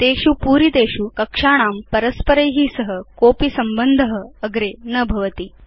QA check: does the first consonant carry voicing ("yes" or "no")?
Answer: no